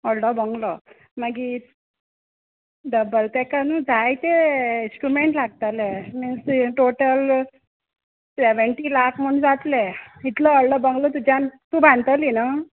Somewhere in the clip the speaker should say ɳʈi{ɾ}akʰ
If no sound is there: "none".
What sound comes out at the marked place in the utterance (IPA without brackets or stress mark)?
l